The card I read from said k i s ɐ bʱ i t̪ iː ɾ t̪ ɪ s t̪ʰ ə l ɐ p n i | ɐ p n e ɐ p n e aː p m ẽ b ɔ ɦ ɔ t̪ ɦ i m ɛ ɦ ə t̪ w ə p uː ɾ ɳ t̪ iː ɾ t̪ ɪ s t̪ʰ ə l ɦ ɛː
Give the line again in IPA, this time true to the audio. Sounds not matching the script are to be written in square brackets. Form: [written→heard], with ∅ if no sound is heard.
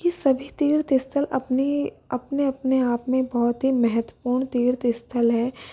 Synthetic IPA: k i s ɐ bʱ i t̪ iː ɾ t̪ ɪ s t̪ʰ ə l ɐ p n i | ɐ p n e ɐ p n e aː p m ẽ b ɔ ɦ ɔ t̪ ɦ i m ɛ ɦ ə t̪ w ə p uː ɾ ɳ t̪ iː ɾ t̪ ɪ s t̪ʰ ə l ɦ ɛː